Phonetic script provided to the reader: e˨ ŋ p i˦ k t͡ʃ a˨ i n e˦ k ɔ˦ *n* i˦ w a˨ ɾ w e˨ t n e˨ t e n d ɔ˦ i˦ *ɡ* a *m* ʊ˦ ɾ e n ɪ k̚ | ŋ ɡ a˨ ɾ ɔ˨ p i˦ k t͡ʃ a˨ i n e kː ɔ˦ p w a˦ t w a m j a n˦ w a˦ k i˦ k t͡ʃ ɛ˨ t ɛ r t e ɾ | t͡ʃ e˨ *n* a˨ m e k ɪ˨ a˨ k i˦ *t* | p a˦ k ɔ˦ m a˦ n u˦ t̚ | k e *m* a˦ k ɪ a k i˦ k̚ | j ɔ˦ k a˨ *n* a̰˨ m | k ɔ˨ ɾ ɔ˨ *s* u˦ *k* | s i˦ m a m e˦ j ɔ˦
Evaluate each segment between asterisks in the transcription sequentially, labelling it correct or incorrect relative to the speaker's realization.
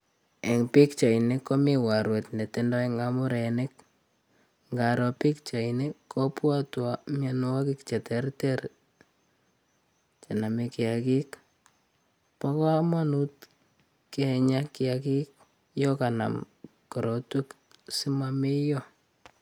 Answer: incorrect: m, incorrect: ŋ, correct, correct, incorrect: k, incorrect: ɲ, correct, incorrect: t, correct

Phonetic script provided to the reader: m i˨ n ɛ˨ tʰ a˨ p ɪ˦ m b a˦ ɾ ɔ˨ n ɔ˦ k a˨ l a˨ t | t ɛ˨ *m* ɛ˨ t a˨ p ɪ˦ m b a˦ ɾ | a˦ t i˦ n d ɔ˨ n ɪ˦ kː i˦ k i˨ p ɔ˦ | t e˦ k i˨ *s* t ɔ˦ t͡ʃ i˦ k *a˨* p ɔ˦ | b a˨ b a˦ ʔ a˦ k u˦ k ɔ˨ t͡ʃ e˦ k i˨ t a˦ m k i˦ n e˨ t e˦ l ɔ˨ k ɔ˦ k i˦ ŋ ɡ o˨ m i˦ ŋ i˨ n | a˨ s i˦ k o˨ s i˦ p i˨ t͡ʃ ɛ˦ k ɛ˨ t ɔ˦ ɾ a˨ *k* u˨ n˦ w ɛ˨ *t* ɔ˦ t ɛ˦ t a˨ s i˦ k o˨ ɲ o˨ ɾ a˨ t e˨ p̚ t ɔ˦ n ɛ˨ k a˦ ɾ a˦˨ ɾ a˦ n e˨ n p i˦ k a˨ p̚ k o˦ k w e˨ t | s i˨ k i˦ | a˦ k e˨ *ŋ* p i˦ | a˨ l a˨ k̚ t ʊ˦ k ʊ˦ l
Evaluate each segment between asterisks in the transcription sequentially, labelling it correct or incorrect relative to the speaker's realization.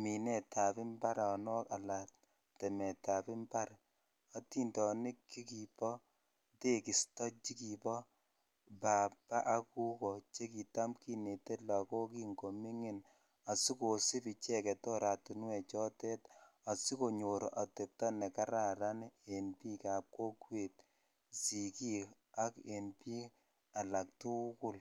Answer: correct, correct, incorrect: i˨, incorrect: t, incorrect: t͡ʃ, incorrect: n

